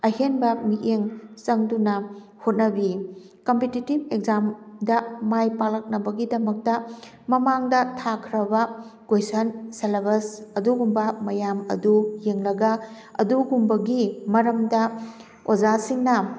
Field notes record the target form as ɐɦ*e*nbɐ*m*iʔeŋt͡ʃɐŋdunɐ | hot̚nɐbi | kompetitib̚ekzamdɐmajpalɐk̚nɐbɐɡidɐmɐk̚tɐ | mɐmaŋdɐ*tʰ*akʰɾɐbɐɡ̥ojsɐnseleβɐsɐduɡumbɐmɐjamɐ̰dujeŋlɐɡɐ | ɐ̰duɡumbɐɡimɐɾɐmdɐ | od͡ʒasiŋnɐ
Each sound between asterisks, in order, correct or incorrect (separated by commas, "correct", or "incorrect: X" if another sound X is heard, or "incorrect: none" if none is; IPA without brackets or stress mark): correct, correct, correct